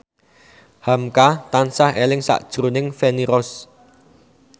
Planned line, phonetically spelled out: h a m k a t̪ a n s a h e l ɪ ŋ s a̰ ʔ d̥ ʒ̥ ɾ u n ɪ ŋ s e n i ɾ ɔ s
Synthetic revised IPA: h a m k a t̪ a n s a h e l ɪ ŋ s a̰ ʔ d̥ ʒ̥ ɾ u n ɪ ŋ f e n i ɾ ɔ s